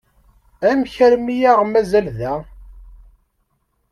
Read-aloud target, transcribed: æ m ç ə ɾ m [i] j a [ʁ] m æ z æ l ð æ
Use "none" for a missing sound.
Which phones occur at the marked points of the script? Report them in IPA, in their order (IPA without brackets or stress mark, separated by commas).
i, ʁ